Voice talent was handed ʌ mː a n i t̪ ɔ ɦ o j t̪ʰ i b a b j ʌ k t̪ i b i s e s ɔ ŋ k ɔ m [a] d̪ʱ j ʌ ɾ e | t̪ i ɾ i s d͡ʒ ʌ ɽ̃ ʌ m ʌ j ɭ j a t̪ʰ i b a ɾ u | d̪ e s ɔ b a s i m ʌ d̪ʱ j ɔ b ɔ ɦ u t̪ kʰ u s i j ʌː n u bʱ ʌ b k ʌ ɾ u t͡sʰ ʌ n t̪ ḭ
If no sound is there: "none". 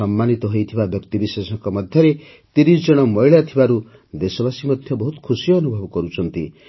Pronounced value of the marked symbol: ʌ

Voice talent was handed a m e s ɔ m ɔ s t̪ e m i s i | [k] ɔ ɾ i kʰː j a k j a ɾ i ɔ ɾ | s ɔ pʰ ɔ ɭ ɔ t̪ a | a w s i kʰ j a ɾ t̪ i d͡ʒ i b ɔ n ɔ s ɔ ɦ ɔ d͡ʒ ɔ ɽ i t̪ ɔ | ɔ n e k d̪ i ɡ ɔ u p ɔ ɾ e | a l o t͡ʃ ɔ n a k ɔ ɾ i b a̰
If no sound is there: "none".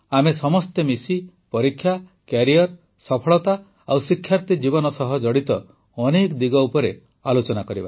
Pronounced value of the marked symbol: p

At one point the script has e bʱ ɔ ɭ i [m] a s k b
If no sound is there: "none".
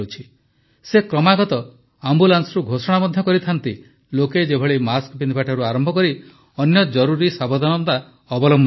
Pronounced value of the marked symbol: m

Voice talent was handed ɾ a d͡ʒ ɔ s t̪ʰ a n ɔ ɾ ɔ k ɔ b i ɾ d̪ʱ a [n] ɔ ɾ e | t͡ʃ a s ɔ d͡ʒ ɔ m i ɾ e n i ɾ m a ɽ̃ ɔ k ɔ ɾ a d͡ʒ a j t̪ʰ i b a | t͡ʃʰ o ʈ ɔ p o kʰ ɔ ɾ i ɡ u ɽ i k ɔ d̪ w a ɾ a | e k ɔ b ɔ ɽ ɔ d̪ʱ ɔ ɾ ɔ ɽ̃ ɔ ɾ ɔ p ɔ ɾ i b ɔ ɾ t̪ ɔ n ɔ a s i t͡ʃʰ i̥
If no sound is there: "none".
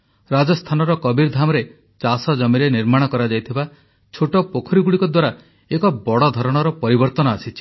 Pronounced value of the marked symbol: m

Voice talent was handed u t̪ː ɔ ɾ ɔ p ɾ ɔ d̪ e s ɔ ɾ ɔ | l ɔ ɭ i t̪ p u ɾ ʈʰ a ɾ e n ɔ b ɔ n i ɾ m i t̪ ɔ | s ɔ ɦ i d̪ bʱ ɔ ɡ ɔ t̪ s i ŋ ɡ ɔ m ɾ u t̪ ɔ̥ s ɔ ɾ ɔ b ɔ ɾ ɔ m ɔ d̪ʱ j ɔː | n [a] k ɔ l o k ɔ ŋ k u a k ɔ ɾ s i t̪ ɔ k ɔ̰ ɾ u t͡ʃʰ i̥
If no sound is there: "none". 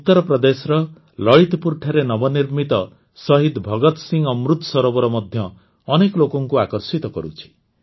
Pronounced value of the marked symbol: e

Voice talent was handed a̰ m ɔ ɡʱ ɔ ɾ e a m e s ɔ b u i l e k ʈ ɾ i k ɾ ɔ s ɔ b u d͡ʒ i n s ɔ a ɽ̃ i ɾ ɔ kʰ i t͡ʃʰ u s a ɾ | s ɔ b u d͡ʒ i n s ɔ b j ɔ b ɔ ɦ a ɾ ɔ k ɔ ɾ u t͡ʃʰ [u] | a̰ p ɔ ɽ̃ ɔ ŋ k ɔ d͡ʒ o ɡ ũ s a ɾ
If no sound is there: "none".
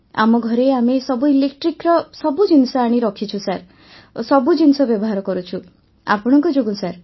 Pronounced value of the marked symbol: u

